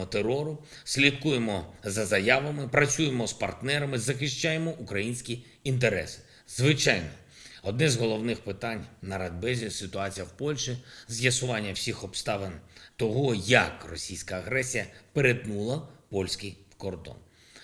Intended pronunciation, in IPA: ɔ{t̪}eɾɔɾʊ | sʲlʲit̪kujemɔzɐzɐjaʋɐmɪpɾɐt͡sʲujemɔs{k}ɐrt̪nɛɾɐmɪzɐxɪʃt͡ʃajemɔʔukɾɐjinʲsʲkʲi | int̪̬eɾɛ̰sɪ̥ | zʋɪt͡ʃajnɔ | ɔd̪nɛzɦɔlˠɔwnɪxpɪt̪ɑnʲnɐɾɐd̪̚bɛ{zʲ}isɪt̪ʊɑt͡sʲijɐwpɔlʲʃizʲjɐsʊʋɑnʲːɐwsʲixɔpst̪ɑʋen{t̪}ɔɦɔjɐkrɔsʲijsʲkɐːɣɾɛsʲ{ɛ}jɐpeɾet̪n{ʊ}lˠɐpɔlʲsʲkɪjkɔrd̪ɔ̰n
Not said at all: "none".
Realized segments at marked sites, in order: t̪, p, zʲ, t̪, i, u

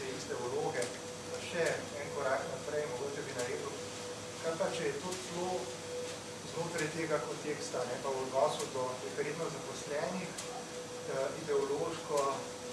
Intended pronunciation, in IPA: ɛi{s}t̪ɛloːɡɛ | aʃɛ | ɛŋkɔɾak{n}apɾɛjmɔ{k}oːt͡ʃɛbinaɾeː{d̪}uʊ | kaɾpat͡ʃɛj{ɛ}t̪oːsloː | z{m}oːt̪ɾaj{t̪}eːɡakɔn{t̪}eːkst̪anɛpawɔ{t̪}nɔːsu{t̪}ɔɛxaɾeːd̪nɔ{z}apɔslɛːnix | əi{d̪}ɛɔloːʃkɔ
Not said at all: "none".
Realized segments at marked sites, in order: s, n, ɡ, d̪, ɛ, n, t̪, t̪, d̪, d̪, z, d̪

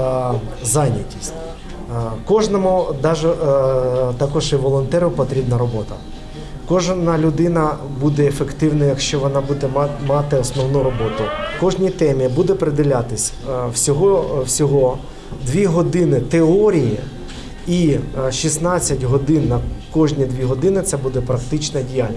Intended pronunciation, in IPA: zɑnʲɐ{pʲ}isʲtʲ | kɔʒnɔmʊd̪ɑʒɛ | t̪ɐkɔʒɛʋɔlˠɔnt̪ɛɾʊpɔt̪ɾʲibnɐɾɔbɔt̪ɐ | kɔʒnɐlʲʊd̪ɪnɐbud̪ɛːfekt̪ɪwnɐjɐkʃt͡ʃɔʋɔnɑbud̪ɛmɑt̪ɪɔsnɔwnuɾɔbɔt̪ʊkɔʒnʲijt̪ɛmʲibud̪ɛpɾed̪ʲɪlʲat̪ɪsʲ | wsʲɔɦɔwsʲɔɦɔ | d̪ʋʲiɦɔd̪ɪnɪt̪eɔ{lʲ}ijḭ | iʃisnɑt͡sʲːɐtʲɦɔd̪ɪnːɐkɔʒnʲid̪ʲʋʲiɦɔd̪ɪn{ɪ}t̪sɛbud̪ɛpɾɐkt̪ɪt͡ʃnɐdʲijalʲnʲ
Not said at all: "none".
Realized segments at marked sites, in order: tʲ, ɾʲ, ɪ

